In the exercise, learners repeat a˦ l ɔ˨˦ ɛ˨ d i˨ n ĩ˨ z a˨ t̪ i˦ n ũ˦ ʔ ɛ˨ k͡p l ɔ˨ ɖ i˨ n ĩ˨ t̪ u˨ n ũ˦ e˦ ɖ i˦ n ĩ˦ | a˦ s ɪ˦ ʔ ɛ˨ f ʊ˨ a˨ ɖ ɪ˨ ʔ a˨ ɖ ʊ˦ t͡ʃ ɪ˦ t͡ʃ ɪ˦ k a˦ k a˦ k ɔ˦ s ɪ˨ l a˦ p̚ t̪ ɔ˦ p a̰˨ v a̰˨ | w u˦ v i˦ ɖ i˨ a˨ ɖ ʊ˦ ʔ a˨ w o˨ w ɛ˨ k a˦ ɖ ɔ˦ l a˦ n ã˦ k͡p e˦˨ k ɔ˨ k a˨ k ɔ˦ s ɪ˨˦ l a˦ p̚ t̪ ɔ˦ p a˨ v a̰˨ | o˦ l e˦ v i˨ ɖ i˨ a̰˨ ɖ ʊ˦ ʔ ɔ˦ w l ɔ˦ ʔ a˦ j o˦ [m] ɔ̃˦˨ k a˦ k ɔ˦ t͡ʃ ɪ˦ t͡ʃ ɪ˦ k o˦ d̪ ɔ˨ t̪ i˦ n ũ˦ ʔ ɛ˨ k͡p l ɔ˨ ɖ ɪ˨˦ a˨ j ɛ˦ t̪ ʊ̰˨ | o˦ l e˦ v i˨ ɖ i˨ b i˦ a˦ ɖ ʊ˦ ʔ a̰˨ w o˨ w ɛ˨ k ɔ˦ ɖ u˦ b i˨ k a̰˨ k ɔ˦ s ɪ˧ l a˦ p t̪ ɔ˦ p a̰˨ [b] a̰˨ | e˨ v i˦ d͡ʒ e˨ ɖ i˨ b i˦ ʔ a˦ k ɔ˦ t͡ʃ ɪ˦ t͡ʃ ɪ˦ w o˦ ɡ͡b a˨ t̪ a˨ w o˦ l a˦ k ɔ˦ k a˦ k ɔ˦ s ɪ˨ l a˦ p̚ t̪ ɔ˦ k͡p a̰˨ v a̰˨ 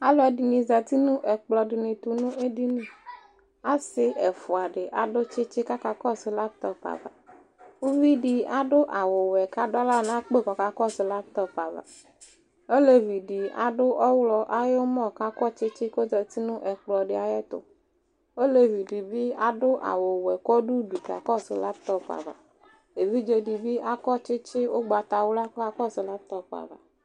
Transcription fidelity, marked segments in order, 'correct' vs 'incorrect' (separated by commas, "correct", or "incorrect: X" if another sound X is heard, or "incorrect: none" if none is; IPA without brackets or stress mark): correct, incorrect: v